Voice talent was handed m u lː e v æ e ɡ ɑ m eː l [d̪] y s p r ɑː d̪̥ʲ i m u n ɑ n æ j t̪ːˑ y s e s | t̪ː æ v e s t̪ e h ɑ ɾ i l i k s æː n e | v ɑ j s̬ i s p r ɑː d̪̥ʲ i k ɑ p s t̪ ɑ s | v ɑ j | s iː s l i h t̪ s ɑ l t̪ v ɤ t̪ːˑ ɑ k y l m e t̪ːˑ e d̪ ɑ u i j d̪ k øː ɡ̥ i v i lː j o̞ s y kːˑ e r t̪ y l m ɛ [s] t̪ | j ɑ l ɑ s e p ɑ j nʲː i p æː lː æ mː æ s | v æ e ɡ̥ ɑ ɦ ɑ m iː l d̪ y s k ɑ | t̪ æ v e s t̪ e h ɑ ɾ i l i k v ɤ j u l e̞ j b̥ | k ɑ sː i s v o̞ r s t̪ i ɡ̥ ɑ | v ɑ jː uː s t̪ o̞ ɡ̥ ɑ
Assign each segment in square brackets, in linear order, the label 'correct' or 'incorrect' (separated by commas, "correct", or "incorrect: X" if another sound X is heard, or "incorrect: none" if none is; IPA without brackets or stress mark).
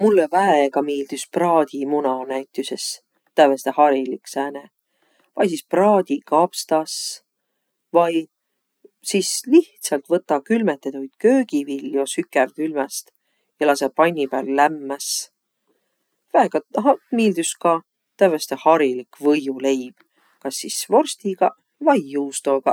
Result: correct, correct